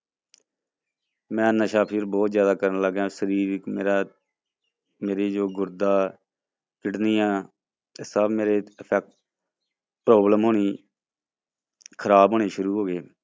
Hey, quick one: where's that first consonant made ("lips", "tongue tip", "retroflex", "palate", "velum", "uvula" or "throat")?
lips